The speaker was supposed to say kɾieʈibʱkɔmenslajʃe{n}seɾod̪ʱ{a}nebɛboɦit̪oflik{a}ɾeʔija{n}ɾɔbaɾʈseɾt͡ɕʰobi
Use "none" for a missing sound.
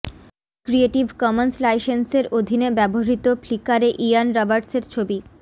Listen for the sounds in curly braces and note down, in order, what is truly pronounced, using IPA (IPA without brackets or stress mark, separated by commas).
n, i, a, n